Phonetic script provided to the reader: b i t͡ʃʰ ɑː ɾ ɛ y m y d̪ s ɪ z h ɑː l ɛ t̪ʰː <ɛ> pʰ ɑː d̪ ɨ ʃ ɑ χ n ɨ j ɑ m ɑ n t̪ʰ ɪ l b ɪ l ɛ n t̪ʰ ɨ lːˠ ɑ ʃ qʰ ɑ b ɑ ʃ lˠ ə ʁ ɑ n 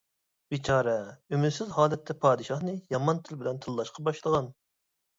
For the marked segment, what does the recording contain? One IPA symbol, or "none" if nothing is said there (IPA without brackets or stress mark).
ɛ